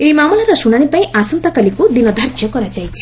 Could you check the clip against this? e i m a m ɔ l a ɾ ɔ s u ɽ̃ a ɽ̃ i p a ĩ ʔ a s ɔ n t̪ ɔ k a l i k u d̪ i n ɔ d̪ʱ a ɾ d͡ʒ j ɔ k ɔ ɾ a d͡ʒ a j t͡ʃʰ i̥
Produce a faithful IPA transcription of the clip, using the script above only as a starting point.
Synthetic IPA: e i m a m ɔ l a ɾ ɔ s u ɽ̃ a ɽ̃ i p a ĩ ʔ a s ɔ n t̪ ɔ k a l i k u d̪ i n ɔ d̪ʱ a ɾ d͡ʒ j ɔ k ɔ ɾ a d͡ʒ a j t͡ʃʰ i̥